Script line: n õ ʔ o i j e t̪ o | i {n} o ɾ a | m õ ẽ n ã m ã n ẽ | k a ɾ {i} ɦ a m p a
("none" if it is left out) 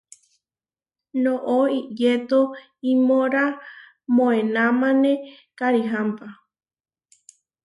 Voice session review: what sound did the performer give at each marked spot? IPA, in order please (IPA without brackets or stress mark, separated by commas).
m, i